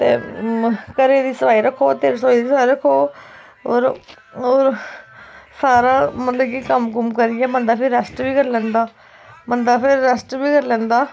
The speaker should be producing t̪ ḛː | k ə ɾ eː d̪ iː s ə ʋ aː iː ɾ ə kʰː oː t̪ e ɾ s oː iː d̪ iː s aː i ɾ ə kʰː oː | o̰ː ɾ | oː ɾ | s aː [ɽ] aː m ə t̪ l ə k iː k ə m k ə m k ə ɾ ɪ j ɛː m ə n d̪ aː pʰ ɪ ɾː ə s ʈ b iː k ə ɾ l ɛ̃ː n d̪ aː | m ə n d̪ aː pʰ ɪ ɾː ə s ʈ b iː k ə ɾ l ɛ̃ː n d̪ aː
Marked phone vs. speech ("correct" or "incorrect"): incorrect